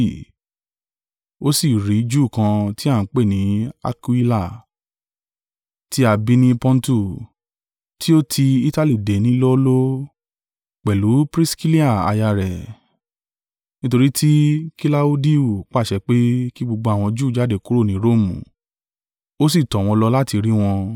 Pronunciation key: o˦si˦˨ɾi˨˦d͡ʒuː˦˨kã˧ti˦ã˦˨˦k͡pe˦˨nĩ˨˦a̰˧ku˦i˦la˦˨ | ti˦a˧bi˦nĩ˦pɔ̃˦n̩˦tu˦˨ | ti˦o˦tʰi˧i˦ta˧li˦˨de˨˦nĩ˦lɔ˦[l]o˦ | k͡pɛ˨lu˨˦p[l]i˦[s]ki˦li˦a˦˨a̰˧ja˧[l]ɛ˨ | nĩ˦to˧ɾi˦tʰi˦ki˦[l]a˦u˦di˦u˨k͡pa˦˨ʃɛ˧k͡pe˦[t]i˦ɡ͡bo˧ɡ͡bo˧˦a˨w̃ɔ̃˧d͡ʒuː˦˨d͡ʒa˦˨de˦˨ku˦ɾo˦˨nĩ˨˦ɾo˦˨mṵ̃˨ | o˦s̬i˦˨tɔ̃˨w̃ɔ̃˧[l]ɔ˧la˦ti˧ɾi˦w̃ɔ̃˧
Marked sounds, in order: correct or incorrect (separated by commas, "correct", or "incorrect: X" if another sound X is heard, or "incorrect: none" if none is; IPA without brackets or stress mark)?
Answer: correct, incorrect: ɾ, correct, incorrect: ɾ, correct, incorrect: k, correct